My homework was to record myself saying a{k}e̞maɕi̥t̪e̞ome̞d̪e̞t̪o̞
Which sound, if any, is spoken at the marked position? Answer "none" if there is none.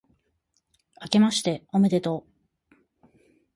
k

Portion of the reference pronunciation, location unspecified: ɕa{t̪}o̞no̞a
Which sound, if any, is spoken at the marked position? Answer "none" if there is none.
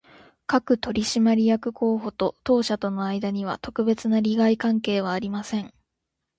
t̪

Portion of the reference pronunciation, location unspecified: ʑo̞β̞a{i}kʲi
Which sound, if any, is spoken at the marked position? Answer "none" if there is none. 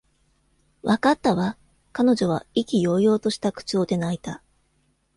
i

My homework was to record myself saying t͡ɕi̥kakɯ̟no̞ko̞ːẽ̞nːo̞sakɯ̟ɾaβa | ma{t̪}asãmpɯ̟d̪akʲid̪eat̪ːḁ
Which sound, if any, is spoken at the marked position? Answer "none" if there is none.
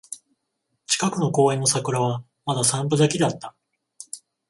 d̪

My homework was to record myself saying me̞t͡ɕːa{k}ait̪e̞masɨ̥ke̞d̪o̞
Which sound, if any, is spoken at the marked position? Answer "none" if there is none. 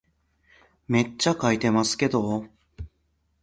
k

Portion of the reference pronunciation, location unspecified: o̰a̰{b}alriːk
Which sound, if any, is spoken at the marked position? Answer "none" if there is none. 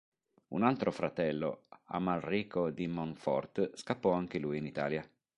m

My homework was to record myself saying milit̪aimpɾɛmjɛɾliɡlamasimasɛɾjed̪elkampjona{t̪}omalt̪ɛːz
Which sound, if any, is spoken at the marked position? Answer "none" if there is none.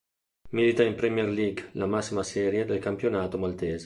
t̪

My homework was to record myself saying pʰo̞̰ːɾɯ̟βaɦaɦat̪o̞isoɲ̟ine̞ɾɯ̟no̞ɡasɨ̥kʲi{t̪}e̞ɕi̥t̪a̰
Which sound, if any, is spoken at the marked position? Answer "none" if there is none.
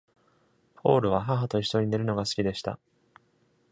d̪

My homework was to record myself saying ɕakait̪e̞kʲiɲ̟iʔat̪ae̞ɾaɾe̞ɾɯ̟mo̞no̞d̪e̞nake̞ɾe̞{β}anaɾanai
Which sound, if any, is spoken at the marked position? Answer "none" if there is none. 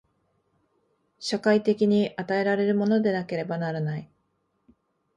b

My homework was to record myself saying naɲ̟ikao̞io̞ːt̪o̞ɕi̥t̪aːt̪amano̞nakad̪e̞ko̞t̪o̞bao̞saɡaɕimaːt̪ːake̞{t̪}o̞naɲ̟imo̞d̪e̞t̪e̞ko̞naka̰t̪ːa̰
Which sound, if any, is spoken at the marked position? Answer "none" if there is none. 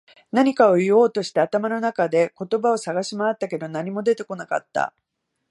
d̪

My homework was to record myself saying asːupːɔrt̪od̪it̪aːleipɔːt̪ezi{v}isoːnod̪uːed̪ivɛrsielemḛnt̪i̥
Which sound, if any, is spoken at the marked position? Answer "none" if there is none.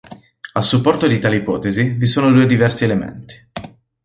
v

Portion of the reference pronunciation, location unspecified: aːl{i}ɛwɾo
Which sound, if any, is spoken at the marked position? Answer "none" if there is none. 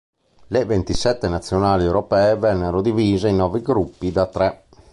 i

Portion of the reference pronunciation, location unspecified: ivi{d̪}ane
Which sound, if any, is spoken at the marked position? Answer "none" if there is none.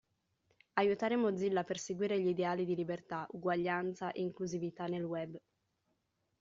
t̪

